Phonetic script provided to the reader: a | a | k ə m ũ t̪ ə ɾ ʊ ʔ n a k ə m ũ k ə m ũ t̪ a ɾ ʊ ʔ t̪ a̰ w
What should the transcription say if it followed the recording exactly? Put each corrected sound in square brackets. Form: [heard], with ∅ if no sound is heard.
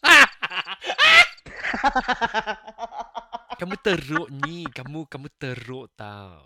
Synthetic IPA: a | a | k [a] m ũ t̪ ə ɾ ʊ ʔ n [i] k [a] m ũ k [a] m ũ t̪ [ə] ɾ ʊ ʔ t̪ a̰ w